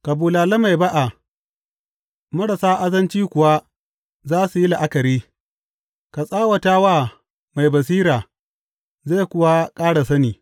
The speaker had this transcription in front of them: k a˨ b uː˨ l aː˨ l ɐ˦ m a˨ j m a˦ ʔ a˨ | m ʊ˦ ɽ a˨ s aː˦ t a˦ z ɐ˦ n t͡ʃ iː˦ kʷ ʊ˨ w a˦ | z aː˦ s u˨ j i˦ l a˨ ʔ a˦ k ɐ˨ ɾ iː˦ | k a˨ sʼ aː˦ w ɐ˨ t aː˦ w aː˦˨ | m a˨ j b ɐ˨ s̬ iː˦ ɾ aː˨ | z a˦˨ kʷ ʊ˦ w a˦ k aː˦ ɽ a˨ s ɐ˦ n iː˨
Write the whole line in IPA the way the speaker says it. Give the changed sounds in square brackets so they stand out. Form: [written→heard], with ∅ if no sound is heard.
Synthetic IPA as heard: k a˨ b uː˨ l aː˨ l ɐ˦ m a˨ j [m→b] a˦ ʔ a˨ | m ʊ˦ ɽ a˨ s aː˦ [t→ʔ] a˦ z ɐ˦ n t͡ʃ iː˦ kʷ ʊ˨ w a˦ | z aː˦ s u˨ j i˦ l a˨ ʔ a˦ k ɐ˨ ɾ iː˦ | k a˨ sʼ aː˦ w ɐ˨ t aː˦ w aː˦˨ | m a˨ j b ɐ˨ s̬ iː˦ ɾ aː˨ | z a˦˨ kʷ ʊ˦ w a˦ [k→kʼ] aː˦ ɽ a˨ s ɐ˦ n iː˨